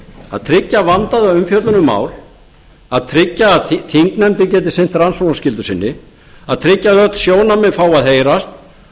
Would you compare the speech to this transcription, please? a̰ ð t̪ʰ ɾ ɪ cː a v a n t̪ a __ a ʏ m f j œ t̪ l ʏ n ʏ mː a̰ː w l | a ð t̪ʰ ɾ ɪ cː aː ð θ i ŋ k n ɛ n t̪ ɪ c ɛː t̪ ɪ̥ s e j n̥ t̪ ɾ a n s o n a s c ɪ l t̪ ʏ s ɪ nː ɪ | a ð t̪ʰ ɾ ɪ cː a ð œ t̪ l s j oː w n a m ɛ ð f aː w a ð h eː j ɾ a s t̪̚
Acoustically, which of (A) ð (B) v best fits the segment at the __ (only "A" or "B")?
A